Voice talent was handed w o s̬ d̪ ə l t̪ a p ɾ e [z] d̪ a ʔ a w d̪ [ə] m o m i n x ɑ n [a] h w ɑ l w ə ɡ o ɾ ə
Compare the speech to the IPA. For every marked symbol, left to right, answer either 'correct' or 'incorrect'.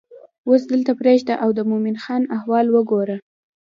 incorrect: ʒ, correct, correct

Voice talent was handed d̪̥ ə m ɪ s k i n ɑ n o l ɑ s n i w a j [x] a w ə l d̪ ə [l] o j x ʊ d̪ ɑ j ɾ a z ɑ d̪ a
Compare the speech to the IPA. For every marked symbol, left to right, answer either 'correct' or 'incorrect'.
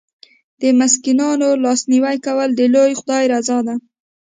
incorrect: k, correct

